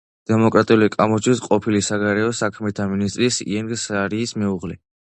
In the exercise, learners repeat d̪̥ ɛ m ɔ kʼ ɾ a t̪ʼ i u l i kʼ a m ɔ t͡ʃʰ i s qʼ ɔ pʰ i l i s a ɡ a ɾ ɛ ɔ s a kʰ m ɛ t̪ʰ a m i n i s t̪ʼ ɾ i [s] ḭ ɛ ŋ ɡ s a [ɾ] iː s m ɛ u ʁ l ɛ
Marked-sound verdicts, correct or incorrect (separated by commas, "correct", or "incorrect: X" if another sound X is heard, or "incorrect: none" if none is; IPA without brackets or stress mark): correct, correct